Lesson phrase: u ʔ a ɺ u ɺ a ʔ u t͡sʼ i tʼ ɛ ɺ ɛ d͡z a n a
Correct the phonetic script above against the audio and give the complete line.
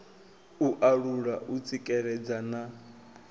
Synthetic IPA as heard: u ʔ a ɺ u ɺ a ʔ u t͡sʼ i kʼ ɛ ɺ ɛ d͡z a n a